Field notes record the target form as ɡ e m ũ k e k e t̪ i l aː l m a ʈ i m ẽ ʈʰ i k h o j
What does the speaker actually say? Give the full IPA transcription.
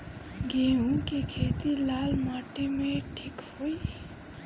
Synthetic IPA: ɡ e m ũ k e kʰ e t̪ i l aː l m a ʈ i m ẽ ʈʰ i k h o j